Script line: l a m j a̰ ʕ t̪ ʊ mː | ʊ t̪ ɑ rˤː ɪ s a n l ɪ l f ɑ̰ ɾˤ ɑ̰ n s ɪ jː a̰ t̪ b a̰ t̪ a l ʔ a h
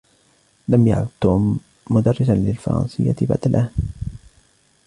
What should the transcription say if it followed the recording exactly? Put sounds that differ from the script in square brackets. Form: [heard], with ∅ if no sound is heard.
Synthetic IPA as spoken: l a m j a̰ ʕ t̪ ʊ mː | ʊ [d̪] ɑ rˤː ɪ s a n l ɪ l f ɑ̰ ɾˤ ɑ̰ n s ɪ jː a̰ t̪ b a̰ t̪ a l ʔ a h